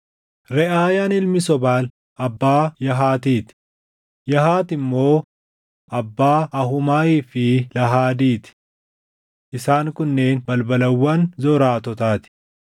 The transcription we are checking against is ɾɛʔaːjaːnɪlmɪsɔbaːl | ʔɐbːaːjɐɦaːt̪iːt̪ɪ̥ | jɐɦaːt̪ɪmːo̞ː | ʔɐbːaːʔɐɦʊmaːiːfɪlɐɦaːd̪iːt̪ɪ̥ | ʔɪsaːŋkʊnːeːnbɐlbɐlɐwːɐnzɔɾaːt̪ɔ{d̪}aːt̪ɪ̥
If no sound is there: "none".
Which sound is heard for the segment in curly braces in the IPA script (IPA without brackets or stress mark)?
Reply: t̪